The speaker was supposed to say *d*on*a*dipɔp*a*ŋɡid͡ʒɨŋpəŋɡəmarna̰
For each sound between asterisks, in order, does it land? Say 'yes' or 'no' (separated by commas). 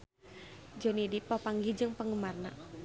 no, no, yes